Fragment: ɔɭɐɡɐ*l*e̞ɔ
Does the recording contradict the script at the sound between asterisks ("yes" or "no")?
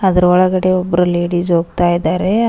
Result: yes